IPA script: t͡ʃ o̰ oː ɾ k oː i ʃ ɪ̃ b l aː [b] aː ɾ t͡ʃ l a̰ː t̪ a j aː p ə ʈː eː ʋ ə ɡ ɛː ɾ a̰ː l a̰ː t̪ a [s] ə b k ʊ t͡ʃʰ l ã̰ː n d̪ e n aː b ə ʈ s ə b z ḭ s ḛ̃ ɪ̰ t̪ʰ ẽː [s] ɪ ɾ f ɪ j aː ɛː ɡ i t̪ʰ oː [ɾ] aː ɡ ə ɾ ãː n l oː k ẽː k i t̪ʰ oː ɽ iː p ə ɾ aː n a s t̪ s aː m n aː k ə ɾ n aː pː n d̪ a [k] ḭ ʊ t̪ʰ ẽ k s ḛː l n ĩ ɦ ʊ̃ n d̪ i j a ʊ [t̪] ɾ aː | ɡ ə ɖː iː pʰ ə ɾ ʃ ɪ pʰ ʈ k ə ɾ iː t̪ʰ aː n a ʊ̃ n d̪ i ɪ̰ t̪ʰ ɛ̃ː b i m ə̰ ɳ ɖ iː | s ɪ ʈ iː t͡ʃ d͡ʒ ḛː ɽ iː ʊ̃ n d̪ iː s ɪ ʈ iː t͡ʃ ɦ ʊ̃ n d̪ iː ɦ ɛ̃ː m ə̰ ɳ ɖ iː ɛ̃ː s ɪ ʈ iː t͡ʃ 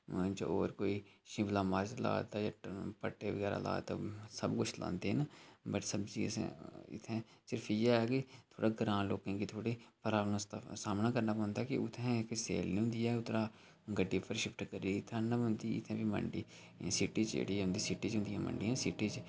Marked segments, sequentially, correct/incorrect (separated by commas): incorrect, correct, correct, incorrect, correct, correct